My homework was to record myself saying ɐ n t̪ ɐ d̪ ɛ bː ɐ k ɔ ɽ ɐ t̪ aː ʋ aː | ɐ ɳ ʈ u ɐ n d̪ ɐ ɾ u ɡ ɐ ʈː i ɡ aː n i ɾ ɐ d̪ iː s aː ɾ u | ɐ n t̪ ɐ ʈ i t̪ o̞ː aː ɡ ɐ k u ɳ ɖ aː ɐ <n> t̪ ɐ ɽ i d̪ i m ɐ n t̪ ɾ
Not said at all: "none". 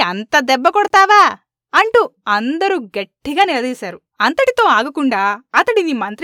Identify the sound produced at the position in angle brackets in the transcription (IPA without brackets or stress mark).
none